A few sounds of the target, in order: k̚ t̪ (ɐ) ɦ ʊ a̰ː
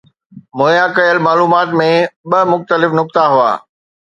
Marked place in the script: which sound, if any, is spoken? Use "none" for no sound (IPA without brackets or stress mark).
a